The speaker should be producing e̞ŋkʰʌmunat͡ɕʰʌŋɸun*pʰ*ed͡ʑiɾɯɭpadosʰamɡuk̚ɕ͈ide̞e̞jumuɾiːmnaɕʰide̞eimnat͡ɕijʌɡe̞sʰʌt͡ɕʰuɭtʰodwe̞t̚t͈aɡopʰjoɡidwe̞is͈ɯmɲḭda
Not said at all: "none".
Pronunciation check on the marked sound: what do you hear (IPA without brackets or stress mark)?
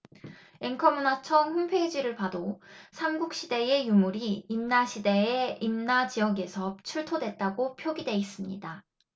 pʰ